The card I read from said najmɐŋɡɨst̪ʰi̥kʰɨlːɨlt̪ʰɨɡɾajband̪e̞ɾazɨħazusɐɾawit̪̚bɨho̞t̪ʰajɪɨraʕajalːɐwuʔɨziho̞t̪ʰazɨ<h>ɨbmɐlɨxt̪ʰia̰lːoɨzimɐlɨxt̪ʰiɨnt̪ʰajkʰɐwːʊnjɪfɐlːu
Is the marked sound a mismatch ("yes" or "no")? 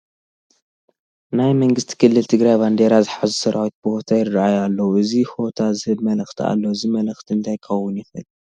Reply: no